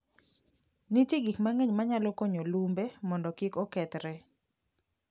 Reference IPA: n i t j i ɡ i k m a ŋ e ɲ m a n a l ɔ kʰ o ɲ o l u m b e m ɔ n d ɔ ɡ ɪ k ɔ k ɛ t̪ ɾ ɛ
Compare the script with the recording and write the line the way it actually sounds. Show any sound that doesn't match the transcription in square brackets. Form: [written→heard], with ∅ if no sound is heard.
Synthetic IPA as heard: n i t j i ɡ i k m a ŋ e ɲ m a [n→ɲ] a l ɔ [kʰ→k] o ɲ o l u m b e m ɔ n d ɔ [ɡ→k] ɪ k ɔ k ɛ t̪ ɾ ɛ

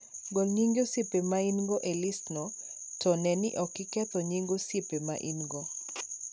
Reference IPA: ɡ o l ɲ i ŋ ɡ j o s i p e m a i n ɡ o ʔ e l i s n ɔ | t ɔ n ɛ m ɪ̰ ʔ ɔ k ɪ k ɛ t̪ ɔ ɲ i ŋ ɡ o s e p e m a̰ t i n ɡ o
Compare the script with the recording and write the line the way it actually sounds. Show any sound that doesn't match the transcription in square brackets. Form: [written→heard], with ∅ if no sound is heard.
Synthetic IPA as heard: ɡ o l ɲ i ŋ ɡ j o s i p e m a i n ɡ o ʔ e l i s n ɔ | t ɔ n ɛ [m→n] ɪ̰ ʔ ɔ k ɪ k ɛ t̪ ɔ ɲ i ŋ ɡ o s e p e m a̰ [t→ʔ] i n ɡ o

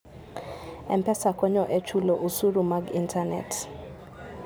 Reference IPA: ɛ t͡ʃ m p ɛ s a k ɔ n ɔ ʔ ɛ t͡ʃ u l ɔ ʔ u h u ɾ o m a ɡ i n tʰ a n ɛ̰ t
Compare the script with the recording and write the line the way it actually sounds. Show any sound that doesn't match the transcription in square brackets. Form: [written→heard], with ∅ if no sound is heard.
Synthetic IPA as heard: ɛ [t͡ʃ→∅] m p ɛ s a k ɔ [n→ɲ] ɔ ʔ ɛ t͡ʃ u l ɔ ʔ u [h→s] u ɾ [o→u] m a ɡ i n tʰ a n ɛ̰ t

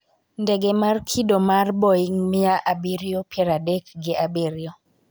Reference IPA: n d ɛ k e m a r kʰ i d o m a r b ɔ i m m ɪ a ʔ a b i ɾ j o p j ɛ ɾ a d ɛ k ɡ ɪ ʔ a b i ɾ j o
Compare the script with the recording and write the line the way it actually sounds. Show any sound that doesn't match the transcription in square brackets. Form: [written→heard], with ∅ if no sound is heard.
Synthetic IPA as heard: n d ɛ [k→ɡ] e m a r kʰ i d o m a r b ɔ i [m→ŋ] m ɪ a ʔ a b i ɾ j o p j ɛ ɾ a d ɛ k ɡ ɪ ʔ a b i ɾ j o

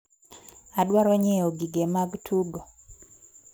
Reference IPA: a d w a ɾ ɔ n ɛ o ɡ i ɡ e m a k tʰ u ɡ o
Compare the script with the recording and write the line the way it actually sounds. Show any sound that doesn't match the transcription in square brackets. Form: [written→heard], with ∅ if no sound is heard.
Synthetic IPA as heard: a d w a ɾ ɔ [n→ɲ] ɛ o ɡ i ɡ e m a [k→ɡ] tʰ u ɡ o

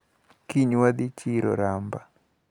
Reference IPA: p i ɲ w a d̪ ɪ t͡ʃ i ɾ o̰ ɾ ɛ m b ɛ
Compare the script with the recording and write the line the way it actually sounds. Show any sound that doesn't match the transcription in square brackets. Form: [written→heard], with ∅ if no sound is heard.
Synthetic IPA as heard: [p→k] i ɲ w a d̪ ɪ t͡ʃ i ɾ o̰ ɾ [ɛ→a] m b [ɛ→a]

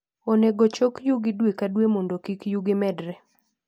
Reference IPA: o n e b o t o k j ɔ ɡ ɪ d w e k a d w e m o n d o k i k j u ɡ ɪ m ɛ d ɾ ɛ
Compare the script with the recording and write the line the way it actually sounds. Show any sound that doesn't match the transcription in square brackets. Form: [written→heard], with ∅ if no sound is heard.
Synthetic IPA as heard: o n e [b→ɡ] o [t→t͡ʃ] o k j [ɔ→u] ɡ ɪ d w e k a d w e m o n d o k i k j u ɡ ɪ m ɛ d ɾ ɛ

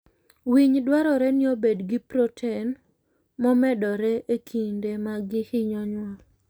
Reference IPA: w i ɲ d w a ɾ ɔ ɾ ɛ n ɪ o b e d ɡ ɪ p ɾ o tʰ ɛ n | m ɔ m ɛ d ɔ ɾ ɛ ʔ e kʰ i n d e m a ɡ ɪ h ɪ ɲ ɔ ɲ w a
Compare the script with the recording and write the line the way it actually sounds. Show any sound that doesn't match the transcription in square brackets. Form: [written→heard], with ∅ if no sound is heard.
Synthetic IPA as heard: w i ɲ d w a ɾ ɔ ɾ ɛ n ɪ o b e d ɡ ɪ p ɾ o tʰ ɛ n | m ɔ m ɛ d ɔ ɾ ɛ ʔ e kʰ i n d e m a ɡ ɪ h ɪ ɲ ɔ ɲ w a

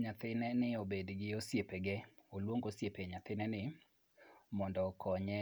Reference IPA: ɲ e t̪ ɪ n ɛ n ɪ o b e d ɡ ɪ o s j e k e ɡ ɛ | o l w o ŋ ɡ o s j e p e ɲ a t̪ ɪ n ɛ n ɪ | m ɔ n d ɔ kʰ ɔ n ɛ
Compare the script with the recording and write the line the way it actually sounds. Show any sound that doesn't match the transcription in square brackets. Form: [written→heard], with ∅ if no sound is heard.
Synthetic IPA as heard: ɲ [e→a] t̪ ɪ n ɛ n ɪ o b e d ɡ ɪ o s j e [k→p] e ɡ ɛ | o l w o ŋ ɡ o s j e p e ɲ a t̪ ɪ n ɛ n ɪ | m ɔ n d ɔ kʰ ɔ [n→ɲ] ɛ

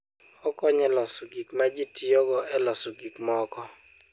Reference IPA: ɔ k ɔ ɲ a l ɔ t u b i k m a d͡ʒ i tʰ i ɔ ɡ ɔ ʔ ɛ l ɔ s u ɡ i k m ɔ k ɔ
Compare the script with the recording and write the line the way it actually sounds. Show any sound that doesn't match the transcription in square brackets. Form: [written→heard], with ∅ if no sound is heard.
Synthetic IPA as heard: ɔ k ɔ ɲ [a→ɛ] l ɔ [t→s] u [b→ɡ] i k m a d͡ʒ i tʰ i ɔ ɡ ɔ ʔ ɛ l ɔ s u ɡ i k m ɔ k ɔ

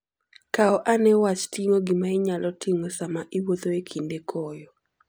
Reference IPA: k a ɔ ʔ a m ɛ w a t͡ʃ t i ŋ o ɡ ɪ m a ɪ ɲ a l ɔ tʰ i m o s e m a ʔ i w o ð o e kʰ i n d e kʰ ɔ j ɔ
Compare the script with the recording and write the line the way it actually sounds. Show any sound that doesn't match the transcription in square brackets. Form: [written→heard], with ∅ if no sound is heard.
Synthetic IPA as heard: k a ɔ ʔ a [m→n] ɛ w a t͡ʃ t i ŋ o ɡ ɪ m a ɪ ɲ a l ɔ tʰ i [m→ŋ] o s [e→a] m a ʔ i w o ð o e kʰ i n d e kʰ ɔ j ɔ

